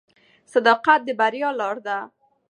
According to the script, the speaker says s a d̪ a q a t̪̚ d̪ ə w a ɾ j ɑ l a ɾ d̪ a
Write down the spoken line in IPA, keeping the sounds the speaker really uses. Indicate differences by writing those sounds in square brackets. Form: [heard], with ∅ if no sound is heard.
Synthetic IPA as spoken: s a d̪ [ɑ] q a t̪̚ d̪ ə [b] a ɾ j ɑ l [ɑ] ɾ d̪ a